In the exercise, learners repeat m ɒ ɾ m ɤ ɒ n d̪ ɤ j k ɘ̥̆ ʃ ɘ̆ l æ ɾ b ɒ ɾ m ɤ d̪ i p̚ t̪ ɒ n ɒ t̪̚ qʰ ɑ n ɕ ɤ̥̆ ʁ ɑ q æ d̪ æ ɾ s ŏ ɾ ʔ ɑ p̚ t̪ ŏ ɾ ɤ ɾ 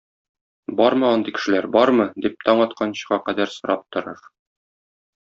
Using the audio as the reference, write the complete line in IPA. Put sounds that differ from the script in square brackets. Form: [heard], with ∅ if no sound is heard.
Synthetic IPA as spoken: [b] ɒ ɾ m ɤ ɒ n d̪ ɤ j k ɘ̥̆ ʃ ɘ̆ l æ ɾ b ɒ ɾ m ɤ d̪ i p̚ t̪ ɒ [ɴ] ɒ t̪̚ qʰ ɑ n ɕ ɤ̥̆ ʁ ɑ q æ d̪ æ ɾ s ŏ ɾ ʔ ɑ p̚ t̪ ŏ ɾ ɤ ɾ